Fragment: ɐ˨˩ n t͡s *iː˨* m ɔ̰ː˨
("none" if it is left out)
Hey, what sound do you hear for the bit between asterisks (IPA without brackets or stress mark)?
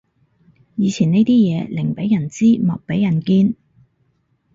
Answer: iː˥